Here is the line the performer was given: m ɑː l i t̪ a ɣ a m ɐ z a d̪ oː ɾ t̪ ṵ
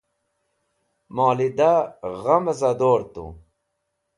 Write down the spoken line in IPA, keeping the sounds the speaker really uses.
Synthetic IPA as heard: m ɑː l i d̪ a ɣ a m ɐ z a d̪ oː ɾ t̪ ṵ

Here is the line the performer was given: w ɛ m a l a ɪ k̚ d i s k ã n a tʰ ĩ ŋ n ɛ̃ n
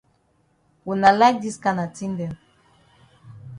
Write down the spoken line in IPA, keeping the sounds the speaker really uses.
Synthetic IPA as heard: w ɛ n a l a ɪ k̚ d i s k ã n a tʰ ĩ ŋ d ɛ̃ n

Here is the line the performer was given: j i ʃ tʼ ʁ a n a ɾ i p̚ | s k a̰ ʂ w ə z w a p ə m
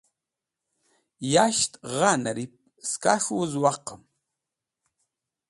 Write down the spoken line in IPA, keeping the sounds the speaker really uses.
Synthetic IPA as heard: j a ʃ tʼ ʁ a n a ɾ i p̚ | s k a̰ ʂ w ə z w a q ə m

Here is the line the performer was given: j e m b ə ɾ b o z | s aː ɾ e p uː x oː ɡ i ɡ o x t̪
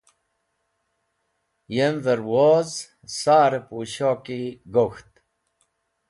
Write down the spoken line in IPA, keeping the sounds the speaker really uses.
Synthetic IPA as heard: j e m v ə ɾ w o z | s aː ɾ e p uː ɕ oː k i ɡ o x t̪

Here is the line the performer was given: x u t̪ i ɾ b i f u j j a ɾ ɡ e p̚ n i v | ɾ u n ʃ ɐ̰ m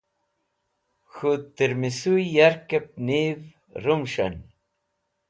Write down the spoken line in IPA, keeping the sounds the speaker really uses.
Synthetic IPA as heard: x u t̪ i ɾ m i s u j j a ɾ k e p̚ n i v | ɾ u m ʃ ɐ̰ n

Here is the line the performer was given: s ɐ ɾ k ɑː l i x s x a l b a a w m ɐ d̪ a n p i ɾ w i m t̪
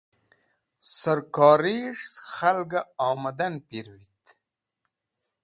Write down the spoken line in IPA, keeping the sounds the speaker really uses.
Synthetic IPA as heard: s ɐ ɾ k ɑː ɾ i ʂ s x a l ɡ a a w m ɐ d̪ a n p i ɾ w i t̪

